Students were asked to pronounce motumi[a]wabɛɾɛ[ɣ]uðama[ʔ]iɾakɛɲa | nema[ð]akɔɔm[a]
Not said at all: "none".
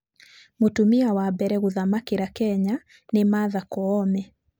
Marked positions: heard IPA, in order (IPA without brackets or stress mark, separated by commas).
a, ɣ, k, ð, ɛ